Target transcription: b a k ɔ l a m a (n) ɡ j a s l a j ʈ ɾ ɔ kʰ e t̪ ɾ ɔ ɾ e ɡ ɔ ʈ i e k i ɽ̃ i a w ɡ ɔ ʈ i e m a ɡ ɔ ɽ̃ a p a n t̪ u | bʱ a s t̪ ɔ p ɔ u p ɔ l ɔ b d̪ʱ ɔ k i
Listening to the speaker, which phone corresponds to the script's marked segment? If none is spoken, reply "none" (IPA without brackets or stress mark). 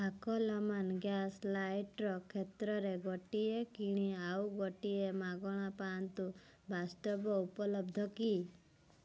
n